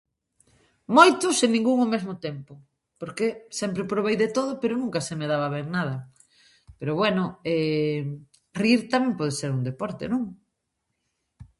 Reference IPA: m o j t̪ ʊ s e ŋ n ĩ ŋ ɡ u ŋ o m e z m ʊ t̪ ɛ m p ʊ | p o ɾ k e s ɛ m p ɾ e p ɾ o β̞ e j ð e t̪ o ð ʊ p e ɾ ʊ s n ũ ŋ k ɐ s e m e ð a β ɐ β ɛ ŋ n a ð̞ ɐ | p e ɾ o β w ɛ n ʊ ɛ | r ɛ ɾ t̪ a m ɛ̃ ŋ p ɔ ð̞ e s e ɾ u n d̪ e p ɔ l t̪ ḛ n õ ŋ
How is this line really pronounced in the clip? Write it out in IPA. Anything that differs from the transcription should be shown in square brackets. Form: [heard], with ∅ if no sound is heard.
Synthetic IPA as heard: m o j t̪ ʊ s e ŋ n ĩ ŋ ɡ u ŋ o m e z m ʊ t̪ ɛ m p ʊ | p o ɾ k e s ɛ m p ɾ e p ɾ o β̞ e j ð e t̪ o ð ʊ p e ɾ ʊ [∅] n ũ ŋ k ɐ s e m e ð a β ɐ β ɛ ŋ n a ð̞ ɐ | p e ɾ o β w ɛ n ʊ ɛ | r [i] ɾ t̪ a m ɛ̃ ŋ p ɔ ð̞ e s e ɾ u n d̪ e p ɔ [ɾ] t̪ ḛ n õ ŋ